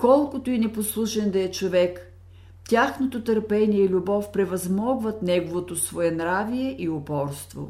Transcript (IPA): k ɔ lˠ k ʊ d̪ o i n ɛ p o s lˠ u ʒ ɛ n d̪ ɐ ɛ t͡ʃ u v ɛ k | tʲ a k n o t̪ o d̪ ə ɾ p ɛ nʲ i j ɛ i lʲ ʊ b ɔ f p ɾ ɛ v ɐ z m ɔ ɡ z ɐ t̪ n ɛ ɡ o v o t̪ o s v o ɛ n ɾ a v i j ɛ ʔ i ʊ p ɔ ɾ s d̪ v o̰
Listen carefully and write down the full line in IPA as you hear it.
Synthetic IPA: k ɔ lˠ k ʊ t̪ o i n ɛ p o s lˠ u ʃ ɛ n d̪ ɐ ɛ t͡ʃ o v ɛ k | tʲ a x n o t̪ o t̪ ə ɾ p ɛ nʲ i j ɛ i lʲ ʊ b ɔ f p ɾ ɛ v ɐ z m ɔ ɡ v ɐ t̪ n ɛ ɡ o v o t̪ o s v o ɛ n ɾ a v i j ɛ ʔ i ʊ p ɔ ɾ s t̪ v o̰